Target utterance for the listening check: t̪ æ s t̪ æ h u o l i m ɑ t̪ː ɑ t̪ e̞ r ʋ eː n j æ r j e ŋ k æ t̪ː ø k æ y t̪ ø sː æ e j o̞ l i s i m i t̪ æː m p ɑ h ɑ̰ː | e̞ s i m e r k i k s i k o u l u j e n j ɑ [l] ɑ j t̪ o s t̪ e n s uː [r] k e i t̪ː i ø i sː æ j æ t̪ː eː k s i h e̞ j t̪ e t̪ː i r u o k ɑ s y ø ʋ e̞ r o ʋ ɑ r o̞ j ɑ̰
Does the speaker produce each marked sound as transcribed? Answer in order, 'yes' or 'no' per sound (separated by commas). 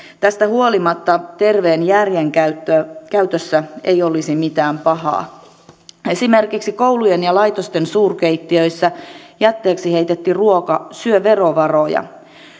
yes, yes